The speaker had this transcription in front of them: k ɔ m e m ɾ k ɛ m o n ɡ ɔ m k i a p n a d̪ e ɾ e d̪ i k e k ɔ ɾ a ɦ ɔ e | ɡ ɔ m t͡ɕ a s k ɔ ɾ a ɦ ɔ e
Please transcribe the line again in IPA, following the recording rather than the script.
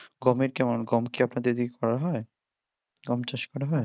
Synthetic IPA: ɡ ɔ m e ɾ k ɛ m o n ɡ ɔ m k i a p n a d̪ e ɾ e d̪ i k e k ɔ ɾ a ɦ ɔ e | ɡ ɔ m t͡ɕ a ʃ k ɔ ɾ a ɦ ɔ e

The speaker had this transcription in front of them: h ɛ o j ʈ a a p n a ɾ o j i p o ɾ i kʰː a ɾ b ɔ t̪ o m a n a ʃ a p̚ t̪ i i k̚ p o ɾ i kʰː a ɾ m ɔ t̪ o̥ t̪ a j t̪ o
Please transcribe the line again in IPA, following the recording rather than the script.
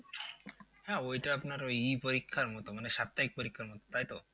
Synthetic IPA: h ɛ o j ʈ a a p n a ɾ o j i p o ɾ i kʰː a ɾ m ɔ t̪ o m a n e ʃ a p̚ t̪ a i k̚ p o ɾ i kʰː a ɾ m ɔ t̪ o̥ t̪ a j t̪ o

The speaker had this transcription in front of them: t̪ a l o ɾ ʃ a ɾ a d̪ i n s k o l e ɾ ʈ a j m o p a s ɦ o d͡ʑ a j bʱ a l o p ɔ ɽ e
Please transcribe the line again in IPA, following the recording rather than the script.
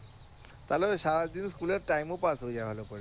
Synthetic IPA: t̪ a l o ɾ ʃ a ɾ a d̪ i n s k u l e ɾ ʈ a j m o p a s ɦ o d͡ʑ a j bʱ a l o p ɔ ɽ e

